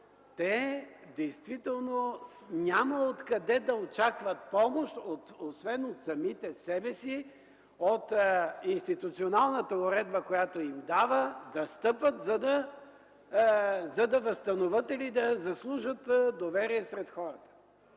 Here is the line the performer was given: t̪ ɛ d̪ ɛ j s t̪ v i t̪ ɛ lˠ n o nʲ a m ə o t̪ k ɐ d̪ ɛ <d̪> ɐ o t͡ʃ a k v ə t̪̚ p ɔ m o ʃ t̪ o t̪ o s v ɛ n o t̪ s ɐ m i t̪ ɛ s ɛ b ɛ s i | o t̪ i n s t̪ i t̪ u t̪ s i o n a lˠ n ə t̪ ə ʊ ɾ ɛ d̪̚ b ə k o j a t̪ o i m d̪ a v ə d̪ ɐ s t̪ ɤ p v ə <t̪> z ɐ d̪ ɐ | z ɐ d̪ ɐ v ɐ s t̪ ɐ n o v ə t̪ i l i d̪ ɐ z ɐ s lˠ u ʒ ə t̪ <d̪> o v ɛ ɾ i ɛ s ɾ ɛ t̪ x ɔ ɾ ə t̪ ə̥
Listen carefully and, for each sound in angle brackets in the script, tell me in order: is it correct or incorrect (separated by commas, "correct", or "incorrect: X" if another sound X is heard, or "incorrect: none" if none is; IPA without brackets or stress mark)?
correct, correct, correct